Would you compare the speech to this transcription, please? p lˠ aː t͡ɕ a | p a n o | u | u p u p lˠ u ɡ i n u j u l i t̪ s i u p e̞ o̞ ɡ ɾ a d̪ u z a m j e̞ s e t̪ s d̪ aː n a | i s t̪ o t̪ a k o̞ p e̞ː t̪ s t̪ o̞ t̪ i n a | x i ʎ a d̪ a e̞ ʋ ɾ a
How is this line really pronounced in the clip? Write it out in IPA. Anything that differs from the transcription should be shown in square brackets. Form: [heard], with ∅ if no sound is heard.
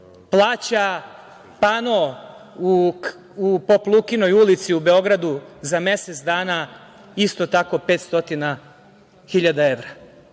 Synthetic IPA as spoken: p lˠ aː t͡ɕ a | p a n o | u | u p [o] p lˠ u [k] i n [o] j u l i t̪ s i u [b] e̞ o̞ ɡ ɾ a d̪ u z a m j e̞ s e t̪ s d̪ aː n a | i s t̪ o t̪ a k o̞ p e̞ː t̪ s t̪ o̞ t̪ i n a | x i ʎ a d̪ a e̞ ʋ ɾ a

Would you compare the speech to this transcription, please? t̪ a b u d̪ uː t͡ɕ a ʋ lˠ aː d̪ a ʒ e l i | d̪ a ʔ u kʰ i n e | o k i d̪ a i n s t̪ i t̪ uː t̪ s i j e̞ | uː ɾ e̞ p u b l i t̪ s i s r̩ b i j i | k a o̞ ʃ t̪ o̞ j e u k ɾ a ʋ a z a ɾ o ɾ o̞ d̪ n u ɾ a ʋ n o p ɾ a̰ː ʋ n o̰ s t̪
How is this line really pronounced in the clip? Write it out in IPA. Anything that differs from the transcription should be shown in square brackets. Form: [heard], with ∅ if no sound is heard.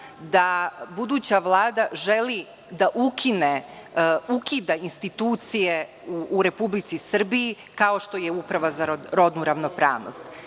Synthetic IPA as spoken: [d̪] a b u d̪ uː t͡ɕ a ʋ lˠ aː d̪ a ʒ e l i | d̪ a ʔ u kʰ i n e | [u] k i d̪ a i n s t̪ i t̪ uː t̪ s i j e̞ | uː ɾ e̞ p u b l i t̪ s i s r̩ b i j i | k a o̞ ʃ t̪ o̞ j e u [p] ɾ a ʋ a z a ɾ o ɾ o̞ d̪ n u ɾ a ʋ n o p ɾ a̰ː ʋ n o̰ s t̪

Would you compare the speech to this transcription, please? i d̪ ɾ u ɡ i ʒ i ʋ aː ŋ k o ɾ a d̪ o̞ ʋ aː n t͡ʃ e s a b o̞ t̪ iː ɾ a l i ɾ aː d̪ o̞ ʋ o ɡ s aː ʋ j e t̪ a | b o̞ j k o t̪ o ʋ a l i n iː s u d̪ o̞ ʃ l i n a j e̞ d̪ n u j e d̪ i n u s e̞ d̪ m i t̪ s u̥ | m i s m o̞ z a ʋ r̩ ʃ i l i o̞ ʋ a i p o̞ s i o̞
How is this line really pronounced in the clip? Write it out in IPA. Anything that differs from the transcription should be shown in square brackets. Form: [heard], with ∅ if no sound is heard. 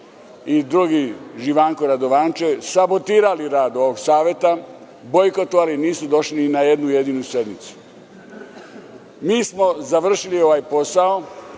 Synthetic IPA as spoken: i d̪ ɾ u ɡ i ʒ i ʋ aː ŋ k o ɾ a d̪ o̞ ʋ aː n t͡ʃ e s a b o̞ t̪ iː ɾ a l i ɾ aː d̪ o̞ ʋ o ɡ s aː ʋ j e t̪ a | b o̞ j k o t̪ o ʋ a l i n iː s u d̪ o̞ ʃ l i n a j e̞ d̪ n u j e d̪ i n u s e̞ d̪ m i t̪ s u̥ | m [iː] s m o̞ z a ʋ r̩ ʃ i l i o̞ ʋ a [j] p o̞ s [a] o̞

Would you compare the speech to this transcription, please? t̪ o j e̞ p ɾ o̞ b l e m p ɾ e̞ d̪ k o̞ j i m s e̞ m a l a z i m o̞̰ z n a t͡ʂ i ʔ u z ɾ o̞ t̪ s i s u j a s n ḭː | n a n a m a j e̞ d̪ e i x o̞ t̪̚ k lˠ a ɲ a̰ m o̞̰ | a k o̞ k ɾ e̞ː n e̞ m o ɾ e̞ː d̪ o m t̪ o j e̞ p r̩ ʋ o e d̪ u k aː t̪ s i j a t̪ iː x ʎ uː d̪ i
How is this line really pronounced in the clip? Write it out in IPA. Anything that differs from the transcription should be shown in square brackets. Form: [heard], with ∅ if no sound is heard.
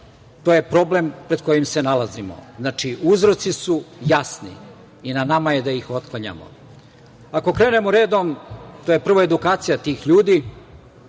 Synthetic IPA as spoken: t̪ o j e̞ p ɾ o̞ b l e m p ɾ e̞ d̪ k o̞ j i m s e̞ [n] a l a z i m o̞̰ z n a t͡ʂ i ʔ u z ɾ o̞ t̪ s i s u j a s n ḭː | n a n a m a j e̞ d̪ [a] i x o̞ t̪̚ k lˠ a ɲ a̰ m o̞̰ | a k o̞ k ɾ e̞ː n e̞ m o ɾ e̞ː d̪ o m t̪ o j e̞ p r̩ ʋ o e d̪ u k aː t̪ s i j a t̪ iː x ʎ uː d̪ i

